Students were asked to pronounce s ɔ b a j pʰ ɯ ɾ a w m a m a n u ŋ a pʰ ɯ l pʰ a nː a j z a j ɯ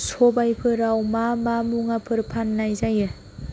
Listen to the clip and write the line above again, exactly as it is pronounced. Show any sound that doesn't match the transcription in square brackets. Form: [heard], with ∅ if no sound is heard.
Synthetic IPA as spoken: s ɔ b a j pʰ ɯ ɾ a w m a m a [m] u ŋ a pʰ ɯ [ɾ] pʰ a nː a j z a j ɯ